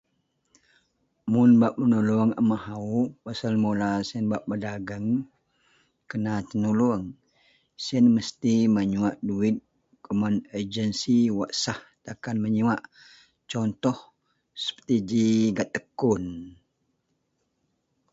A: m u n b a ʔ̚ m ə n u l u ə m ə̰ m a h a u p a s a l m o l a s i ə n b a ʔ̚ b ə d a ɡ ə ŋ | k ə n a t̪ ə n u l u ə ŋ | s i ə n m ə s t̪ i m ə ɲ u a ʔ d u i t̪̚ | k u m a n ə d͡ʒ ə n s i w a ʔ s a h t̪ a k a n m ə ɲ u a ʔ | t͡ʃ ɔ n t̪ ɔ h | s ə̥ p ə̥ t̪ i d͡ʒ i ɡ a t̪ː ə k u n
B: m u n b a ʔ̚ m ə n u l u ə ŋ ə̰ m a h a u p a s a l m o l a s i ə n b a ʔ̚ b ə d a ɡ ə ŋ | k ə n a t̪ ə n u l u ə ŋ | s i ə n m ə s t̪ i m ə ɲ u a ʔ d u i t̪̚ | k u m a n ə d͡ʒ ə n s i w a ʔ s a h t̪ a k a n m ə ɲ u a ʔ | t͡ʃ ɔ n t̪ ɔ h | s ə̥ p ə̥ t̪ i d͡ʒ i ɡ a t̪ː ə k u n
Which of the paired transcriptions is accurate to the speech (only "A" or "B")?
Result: B